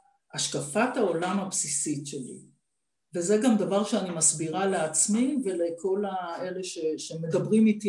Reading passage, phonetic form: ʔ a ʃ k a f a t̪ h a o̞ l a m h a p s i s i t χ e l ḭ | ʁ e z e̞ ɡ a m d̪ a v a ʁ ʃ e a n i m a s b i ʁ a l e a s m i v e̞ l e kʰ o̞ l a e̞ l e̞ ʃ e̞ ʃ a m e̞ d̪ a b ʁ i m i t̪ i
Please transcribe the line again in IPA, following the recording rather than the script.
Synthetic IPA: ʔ a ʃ k a f a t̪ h a o̞ l a m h a p s i s i t ʃ e l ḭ | v e z e̞ ɡ a m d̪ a v a ʁ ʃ e a n i m a s b i ʁ a l e a t͡s m i v e̞ l e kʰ o̞ l a e̞ l e̞ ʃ e̞ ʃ e m e̞ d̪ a b ʁ i m i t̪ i